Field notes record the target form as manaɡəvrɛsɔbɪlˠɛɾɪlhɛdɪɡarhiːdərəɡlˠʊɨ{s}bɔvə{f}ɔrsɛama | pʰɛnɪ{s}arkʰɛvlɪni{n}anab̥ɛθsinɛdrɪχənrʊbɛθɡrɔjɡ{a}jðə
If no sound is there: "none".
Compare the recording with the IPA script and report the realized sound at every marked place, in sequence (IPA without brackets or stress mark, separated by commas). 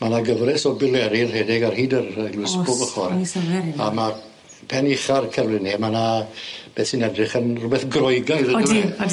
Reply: s, χ, χ, m, a